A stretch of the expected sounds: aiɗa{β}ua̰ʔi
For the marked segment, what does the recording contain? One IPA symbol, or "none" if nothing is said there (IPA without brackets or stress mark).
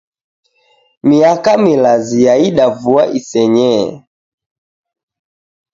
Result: v